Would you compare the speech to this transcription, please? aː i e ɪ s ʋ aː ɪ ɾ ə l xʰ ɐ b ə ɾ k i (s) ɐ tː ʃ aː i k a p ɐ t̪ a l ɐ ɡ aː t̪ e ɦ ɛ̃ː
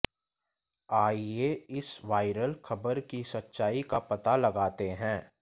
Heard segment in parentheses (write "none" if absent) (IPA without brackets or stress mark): s